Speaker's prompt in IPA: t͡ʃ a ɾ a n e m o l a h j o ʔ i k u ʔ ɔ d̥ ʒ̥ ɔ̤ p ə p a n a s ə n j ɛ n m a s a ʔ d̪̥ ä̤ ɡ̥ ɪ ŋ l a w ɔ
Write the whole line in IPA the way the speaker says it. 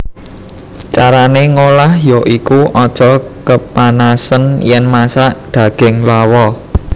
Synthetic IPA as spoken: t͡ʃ a ɾ a n e ŋ o l a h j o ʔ i k u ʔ ɔ d̥ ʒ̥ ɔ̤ k ə p a n a s ə n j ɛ n m a s a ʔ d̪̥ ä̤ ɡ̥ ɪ ŋ l a w ɔ